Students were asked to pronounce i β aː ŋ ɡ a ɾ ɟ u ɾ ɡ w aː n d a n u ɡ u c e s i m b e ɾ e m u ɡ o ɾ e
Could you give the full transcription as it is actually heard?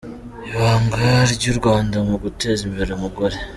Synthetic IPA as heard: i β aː ŋ ɡ a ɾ ɟ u ɾ ɡ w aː n d a m u ɡ u t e z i m b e ɾ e m u ɡ o ɾ e